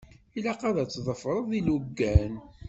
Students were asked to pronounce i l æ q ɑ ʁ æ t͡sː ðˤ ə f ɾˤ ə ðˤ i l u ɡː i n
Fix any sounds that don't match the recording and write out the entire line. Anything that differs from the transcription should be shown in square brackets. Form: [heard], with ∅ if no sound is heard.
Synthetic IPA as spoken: i l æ q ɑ [ð] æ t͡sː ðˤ ə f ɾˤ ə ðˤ i l u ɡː [æ] n